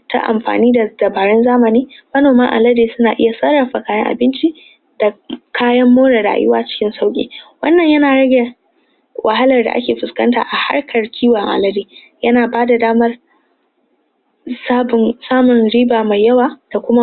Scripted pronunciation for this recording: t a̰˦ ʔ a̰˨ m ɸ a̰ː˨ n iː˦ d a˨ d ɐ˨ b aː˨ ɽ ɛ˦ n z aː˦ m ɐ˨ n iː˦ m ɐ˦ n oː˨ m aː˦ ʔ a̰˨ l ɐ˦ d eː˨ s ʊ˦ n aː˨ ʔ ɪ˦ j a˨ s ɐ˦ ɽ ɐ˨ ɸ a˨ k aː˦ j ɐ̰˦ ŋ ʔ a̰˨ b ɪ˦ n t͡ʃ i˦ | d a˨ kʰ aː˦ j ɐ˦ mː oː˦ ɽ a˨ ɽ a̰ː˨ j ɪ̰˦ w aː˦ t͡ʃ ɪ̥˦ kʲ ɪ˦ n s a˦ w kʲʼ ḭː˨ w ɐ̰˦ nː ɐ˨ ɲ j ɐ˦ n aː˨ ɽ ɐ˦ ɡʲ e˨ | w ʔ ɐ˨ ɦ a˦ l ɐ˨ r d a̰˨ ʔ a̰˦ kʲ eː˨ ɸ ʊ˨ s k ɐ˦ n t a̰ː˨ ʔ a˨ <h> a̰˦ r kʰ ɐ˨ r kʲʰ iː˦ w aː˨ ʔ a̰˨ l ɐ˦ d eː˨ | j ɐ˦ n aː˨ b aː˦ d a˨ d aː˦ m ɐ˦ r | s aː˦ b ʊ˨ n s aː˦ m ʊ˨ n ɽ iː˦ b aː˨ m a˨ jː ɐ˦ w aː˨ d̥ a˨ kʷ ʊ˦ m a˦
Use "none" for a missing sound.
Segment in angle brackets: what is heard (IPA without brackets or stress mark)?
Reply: h